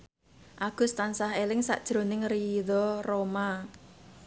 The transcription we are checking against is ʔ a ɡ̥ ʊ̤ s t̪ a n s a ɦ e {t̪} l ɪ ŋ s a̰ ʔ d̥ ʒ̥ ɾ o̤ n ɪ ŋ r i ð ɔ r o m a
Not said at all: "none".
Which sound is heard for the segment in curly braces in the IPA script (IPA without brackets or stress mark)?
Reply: none